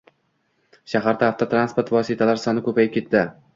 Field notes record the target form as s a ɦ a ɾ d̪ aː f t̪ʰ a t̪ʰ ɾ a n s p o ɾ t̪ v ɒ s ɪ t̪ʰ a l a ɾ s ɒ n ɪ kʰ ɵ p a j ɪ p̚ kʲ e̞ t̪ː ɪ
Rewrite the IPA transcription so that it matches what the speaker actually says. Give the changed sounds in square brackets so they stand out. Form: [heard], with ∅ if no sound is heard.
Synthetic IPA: [ʃ] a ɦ a ɾ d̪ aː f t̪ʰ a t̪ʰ ɾ a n s p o ɾ t̪ v ɒ s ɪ t̪ʰ a l a ɾ s ɒ n ɪ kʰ ɵ p a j ɪ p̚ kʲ e̞ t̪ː ɪ

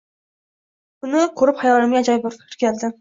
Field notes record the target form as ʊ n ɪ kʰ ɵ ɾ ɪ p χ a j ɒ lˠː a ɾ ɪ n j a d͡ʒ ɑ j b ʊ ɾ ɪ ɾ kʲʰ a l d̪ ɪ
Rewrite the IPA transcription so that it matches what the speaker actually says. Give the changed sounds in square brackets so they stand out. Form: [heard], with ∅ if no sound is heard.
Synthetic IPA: ʊ n ɪ kʰ ɵ ɾ ɪ p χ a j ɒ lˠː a ɾ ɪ [m] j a d͡ʒ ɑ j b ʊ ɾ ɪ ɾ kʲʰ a l d̪ ɪ

